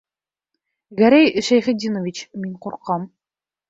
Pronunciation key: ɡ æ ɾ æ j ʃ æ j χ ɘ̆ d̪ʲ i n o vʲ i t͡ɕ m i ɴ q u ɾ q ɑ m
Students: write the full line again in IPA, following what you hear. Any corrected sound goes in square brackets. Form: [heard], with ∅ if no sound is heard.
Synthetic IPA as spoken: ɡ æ ɾ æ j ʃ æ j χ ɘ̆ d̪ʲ i n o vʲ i t͡ɕ m i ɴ q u ɾ q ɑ m